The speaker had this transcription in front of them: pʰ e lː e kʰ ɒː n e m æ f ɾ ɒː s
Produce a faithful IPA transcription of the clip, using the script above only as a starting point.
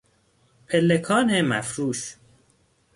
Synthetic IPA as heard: pʰ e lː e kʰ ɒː n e m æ f ɾ uː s